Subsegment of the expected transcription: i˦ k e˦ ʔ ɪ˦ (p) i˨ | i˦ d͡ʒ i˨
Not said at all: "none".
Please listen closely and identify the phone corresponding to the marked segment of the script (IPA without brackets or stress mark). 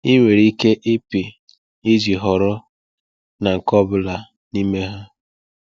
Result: p